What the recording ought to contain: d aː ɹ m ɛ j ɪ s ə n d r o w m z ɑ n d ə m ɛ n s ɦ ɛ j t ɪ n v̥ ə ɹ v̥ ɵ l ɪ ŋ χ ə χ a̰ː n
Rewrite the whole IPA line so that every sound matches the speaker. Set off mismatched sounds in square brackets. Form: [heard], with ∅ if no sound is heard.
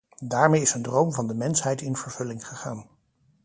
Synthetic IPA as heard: d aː ɹ m [e] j ɪ s ə n d r o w m [v] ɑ n d ə m ɛ n s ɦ ɛ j t ɪ n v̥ ə ɹ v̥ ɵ l ɪ ŋ χ ə χ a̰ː n